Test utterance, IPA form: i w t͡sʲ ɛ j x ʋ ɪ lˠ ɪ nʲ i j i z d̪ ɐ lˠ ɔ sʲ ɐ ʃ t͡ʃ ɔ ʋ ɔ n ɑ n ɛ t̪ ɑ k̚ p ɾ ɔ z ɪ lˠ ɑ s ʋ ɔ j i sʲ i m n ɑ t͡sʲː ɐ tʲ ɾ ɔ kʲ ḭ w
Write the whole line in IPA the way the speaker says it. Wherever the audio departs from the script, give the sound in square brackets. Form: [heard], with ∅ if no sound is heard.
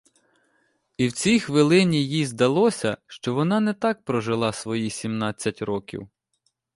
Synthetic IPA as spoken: i w t͡sʲ [i] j x ʋ ɪ lˠ ɪ nʲ i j i z d̪ ɐ lˠ ɔ sʲ ɐ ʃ t͡ʃ ɔ ʋ ɔ n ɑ n ɛ t̪ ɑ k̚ p ɾ ɔ [ʒ] ɪ lˠ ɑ s ʋ ɔ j i sʲ i m n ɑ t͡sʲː ɐ tʲ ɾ ɔ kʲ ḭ w